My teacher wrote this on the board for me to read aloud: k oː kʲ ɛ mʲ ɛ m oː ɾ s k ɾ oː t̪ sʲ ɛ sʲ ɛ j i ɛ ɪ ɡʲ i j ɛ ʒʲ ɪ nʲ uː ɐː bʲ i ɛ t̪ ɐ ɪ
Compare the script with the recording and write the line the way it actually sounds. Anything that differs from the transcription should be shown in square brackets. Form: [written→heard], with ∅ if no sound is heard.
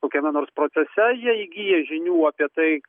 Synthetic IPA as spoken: k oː kʲ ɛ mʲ ɛ [m→n] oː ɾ s [k→p] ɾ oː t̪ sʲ ɛ sʲ ɛ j i ɛ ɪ ɡʲ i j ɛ ʒʲ ɪ nʲ uː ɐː [bʲ→pʲ] i ɛ t̪ ɐ ɪ